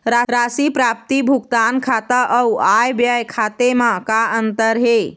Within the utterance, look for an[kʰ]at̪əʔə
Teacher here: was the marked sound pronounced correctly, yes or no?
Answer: yes